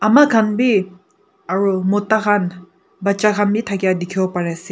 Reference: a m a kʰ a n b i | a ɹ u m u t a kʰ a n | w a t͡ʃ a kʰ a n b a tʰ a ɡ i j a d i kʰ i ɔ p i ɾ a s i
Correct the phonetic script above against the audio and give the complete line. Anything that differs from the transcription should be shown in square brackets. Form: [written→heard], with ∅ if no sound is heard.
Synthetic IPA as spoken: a m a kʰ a n b i | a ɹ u m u t a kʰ a n | [w→b] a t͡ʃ a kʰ a n b [a→i] tʰ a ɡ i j a d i kʰ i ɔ p [i→a] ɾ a s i